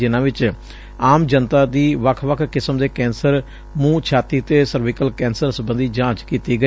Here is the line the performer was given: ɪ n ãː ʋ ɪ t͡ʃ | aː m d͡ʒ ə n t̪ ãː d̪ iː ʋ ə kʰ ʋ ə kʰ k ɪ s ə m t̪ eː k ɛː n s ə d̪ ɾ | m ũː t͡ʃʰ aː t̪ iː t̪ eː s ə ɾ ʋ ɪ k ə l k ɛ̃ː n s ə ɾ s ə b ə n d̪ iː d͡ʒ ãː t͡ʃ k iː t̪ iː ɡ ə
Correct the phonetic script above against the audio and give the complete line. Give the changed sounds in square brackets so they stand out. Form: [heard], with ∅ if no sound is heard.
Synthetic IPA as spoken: ɪ n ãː ʋ ɪ t͡ʃ | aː m d͡ʒ ə n t̪ [aː] d̪ iː ʋ ə kʰ ʋ ə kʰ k ɪ s ə m [d̪] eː k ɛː n s ə [∅] ɾ | m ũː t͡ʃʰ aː t̪ iː t̪ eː s ə ɾ ʋ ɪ k ə l k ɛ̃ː n s ə ɾ s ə b ə n d̪ iː d͡ʒ ãː t͡ʃ k iː t̪ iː ɡ ə